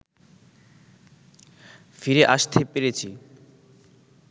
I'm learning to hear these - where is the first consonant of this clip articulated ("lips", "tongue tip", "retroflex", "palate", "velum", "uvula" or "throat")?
lips